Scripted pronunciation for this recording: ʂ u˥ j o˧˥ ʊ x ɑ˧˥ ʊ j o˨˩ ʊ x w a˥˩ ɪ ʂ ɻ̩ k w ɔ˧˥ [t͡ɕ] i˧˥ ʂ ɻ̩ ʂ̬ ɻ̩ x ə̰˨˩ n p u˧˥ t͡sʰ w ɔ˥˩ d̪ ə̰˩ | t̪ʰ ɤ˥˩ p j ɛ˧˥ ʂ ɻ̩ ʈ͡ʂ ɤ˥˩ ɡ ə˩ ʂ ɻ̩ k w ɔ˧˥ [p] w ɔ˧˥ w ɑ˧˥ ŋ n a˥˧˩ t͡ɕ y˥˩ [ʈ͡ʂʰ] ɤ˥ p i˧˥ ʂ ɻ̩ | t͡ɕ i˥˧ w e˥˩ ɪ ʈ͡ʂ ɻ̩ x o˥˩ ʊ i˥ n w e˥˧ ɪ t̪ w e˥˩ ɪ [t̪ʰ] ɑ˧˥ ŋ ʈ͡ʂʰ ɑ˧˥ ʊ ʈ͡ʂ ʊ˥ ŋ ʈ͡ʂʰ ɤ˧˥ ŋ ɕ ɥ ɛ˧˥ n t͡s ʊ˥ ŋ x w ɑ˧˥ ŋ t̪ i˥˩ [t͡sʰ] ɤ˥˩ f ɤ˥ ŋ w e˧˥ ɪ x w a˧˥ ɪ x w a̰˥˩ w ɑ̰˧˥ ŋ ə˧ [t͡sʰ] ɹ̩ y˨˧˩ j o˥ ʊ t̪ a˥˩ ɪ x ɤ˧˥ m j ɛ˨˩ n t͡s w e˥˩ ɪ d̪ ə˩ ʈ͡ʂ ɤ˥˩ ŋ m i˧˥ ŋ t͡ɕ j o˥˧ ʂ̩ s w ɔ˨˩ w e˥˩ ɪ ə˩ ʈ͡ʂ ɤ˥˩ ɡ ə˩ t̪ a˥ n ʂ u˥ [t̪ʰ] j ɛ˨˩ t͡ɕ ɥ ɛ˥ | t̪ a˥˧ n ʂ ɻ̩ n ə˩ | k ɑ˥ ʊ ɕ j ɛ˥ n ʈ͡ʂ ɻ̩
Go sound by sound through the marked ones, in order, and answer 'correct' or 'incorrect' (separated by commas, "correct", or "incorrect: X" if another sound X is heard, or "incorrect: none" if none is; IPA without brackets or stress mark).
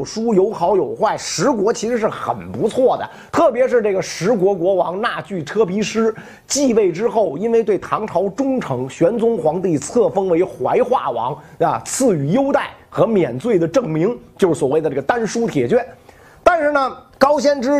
incorrect: t͡ɕʰ, incorrect: k, correct, correct, correct, correct, correct